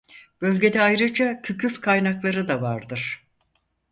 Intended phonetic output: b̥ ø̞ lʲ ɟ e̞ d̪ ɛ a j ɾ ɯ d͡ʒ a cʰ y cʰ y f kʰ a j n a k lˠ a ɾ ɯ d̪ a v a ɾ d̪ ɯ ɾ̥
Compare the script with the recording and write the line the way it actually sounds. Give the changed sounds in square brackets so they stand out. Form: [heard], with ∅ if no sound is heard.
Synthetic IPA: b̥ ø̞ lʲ ɟ e̞ d̪ ɛ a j ɾ ɯ d͡ʒ a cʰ y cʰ y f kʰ a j n a k lˠ a ɾ ɯ d̪ a v a ɾ d̪ ɯ ɾ̥

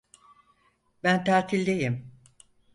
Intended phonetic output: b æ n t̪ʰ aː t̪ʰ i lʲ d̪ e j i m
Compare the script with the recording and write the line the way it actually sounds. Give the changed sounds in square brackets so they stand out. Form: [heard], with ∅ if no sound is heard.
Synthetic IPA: b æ n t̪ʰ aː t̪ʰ i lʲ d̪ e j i m

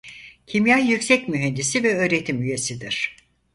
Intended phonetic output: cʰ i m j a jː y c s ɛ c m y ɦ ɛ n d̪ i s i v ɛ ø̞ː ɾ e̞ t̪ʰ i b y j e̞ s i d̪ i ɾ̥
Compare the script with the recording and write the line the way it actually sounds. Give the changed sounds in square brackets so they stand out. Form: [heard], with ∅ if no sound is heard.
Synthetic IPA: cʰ i m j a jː y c s ɛ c m y ɦ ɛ n d̪ i s i v ɛ ø̞ː ɾ e̞ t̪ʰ i [m] y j e̞ s i d̪ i ɾ̥

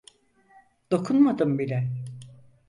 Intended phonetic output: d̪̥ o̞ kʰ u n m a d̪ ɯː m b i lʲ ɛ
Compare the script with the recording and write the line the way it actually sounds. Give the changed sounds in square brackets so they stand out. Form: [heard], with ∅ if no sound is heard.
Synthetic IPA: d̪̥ o̞ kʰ u n m a d̪ [ɯ] m b i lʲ ɛ

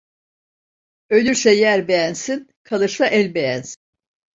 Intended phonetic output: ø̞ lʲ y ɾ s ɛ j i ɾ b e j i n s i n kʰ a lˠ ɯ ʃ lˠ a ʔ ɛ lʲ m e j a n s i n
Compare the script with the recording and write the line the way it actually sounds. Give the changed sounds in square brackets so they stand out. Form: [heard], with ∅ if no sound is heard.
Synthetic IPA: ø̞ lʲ y ɾ s ɛ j [æ] ɾ b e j [æ] n s i n kʰ a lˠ ɯ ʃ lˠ a ʔ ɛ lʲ [b] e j [æ] n s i n

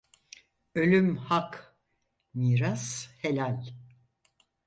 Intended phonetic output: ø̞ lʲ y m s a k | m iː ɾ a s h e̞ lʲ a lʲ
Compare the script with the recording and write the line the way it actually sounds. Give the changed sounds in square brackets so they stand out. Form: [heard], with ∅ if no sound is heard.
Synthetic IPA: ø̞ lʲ y m [h] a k | m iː ɾ a s h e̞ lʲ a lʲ

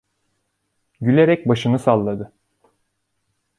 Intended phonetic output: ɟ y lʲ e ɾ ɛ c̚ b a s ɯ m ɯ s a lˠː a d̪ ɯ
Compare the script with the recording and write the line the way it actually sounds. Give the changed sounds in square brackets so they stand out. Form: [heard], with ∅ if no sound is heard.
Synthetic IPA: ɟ y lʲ e ɾ ɛ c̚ b a [ʃ] ɯ [n] ɯ s a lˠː a d̪ ɯ

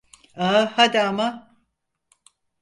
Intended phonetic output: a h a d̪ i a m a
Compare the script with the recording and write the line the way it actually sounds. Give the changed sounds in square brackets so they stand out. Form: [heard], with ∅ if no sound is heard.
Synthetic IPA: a h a d̪ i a m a

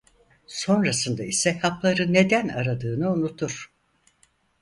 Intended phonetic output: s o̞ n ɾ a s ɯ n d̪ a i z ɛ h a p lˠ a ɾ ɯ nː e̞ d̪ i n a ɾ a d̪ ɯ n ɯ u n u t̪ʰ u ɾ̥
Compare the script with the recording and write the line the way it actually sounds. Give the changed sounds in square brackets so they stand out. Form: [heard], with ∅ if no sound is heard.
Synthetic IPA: s o̞ n ɾ a s ɯ n d̪ a i [s] ɛ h a p lˠ a ɾ ɯ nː e̞ d̪ [æ] n a ɾ a d̪ [ɯː] n ɯ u n u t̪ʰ u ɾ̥

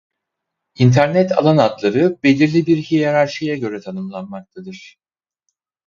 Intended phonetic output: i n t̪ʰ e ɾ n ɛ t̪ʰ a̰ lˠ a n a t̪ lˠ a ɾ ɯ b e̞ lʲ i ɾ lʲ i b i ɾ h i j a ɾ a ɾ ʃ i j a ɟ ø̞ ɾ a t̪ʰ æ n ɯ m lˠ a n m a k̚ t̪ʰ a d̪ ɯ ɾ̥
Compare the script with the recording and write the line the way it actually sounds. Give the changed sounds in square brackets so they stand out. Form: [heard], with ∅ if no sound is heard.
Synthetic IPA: i n t̪ʰ [æ] ɾ n ɛ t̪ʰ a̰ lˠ a n a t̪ lˠ a ɾ ɯ b e̞ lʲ i ɾ lʲ i b i ɾ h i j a ɾ a ɾ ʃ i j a ɟ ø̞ ɾ [ɛ] t̪ʰ [a] n ɯ m lˠ a n m a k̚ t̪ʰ a d̪ ɯ ɾ̥

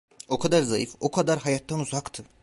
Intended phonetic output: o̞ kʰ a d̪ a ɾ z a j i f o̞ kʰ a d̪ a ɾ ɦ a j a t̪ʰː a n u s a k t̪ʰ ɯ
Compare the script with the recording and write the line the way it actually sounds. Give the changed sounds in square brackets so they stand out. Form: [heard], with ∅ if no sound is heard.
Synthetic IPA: o̞ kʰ a d̪ a ɾ z a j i f o̞ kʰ a d̪ a ɾ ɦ a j a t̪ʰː a n u [z] a k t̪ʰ ɯ

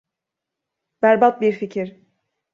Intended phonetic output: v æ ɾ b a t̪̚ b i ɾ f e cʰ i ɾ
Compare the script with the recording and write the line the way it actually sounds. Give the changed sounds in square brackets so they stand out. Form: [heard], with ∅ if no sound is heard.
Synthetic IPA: [b] æ ɾ b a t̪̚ b i ɾ f [i] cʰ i ɾ

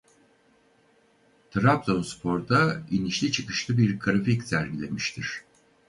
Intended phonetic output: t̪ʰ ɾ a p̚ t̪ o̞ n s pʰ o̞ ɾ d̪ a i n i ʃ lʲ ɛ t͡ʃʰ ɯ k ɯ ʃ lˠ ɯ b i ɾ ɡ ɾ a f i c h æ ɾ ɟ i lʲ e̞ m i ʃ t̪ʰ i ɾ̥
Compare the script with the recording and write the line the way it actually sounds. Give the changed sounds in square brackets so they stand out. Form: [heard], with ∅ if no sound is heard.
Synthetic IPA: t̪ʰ ɾ a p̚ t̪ o̞ n s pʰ o̞ ɾ d̪ a i n i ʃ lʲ [i] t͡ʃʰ ɯ k ɯ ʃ lˠ ɯ b i ɾ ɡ ɾ a f i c [s] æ ɾ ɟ i lʲ e̞ m i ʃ t̪ʰ i ɾ̥

